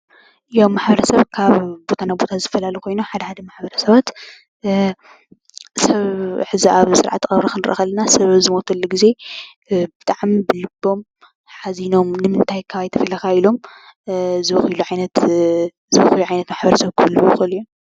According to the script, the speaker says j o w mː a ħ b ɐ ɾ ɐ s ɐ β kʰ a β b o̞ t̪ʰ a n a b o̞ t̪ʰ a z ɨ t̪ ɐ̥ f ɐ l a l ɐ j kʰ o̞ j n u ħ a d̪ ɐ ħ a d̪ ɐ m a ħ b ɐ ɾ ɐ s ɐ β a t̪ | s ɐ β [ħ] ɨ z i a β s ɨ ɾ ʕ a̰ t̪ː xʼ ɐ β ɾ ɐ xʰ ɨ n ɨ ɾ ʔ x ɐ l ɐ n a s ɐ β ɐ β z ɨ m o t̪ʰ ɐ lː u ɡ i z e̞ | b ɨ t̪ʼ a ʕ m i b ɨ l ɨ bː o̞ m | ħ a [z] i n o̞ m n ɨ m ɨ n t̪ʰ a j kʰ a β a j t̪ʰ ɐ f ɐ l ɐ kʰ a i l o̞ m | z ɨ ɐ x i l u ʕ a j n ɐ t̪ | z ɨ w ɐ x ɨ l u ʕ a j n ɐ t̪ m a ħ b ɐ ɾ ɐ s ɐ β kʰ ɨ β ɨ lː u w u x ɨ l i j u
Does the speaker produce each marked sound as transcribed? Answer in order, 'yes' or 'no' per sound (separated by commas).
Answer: yes, yes